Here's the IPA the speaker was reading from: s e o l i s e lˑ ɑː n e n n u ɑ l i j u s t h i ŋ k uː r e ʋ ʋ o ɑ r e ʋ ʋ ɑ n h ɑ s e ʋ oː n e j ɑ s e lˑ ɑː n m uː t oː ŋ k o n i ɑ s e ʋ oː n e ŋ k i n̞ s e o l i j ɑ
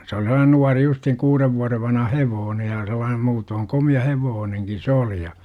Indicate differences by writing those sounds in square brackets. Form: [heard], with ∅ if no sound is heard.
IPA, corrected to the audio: s e o l i s e lˑ ɑː n e n n u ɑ [r] i j u s t h i ŋ k uː r e ʋ ʋ [u] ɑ r e ʋ ʋ ɑ n h ɑ [h] e ʋ oː n e j ɑ s e lˑ ɑː n m uː t oː ŋ k o [m] i ɑ [h] e ʋ oː n e ŋ k i n̞ s e o l i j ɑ